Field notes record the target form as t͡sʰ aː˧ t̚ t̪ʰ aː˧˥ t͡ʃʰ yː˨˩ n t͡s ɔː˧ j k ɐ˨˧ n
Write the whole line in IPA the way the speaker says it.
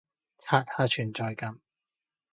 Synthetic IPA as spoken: t͡sʰ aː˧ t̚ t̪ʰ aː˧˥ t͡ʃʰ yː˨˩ n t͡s ɔː˧ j k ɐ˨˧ m